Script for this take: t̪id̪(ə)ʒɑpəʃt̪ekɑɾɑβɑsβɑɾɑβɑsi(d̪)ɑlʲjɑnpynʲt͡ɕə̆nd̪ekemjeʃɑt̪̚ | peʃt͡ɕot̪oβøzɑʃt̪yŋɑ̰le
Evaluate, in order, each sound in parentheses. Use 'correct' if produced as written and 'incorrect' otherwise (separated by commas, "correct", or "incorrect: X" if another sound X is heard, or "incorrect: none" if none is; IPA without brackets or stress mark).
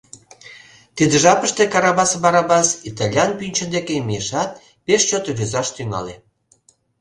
correct, incorrect: t̪